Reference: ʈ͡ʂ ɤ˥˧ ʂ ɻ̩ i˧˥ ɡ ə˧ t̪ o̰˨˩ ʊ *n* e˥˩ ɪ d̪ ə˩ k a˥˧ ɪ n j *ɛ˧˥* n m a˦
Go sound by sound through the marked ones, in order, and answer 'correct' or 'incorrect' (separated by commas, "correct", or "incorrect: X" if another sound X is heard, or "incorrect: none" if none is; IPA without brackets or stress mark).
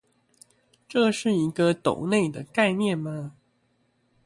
correct, incorrect: ɛ˥˨